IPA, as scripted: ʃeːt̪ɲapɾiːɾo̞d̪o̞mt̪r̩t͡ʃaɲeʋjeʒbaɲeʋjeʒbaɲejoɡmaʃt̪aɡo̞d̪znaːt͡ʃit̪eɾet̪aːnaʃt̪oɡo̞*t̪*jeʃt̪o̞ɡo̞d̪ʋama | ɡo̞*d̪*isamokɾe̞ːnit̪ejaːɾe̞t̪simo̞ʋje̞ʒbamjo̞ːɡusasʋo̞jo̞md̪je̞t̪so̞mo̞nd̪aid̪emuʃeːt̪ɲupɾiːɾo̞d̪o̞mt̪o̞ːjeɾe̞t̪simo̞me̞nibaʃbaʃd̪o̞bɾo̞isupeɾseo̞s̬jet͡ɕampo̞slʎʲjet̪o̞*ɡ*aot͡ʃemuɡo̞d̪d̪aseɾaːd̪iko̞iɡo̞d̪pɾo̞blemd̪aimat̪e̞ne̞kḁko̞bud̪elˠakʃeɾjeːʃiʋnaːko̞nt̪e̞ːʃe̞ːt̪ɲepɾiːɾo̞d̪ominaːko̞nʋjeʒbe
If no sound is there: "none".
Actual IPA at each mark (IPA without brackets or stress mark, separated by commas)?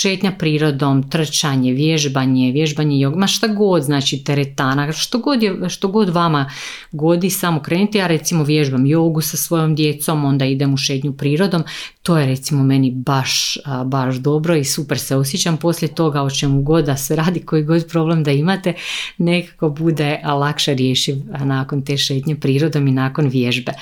d̪, d̪, ɡ